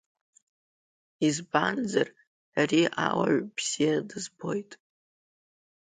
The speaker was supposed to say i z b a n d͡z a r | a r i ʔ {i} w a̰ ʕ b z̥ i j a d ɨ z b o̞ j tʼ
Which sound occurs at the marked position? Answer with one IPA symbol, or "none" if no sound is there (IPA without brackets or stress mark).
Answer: a